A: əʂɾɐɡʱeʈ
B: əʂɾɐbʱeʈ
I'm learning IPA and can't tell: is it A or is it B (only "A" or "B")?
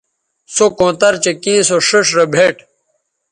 B